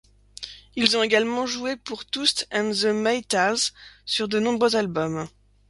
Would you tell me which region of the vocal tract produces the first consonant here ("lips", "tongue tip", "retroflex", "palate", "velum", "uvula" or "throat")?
tongue tip